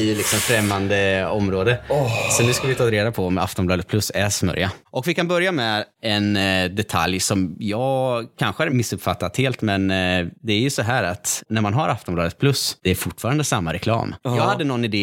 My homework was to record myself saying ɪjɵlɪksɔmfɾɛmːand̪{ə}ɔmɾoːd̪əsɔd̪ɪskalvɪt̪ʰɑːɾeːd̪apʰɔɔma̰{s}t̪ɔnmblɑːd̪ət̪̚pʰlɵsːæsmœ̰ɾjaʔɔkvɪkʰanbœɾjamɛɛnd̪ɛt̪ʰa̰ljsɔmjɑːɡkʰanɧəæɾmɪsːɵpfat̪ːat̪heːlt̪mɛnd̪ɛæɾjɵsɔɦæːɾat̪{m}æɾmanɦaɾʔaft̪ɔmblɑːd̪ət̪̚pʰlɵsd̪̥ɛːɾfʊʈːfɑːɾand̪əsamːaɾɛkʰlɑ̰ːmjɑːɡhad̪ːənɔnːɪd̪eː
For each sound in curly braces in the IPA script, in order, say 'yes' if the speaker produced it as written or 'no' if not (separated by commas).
yes, no, no